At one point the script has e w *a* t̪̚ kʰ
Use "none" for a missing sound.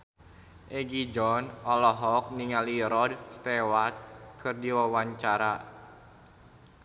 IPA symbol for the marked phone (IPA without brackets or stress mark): a